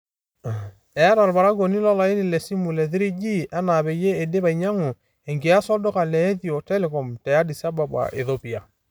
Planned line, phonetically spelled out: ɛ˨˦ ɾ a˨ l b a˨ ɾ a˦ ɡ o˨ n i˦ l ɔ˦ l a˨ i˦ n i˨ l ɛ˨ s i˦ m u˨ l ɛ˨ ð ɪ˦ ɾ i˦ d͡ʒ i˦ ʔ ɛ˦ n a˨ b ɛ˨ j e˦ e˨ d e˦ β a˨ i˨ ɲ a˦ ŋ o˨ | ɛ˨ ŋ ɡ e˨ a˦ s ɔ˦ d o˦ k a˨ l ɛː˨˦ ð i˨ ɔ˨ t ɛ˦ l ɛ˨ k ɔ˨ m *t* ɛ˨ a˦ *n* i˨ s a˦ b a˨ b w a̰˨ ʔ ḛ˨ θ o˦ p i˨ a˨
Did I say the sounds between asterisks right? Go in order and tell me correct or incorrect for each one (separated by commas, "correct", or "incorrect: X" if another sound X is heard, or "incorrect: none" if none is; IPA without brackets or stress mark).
correct, incorrect: d